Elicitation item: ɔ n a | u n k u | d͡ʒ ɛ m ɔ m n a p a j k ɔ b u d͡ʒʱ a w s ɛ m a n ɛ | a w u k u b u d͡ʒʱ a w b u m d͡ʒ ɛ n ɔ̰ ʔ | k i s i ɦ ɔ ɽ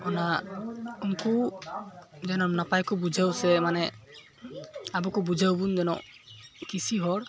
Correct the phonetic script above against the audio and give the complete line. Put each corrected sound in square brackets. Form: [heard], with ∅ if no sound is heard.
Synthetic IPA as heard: ɔ n a | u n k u | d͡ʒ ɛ [n] ɔ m n a p a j k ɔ b u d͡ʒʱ a w s ɛ m a n ɛ | a [b] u k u b u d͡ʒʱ a w b u [n] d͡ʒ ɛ n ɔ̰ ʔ | k i s i ɦ ɔ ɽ